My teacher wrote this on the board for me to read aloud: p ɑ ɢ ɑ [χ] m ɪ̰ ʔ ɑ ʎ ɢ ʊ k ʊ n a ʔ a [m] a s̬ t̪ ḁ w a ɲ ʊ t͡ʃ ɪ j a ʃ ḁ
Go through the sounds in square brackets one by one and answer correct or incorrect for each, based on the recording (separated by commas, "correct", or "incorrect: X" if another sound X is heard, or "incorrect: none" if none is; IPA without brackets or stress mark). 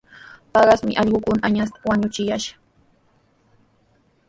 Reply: incorrect: s, incorrect: ɲ